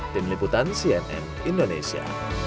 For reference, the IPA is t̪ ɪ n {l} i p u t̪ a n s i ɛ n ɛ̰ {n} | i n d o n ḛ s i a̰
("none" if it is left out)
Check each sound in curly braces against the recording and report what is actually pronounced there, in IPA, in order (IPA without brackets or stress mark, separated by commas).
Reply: l, n